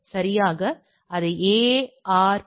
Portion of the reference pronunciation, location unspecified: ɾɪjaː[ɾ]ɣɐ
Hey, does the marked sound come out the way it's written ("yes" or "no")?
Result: no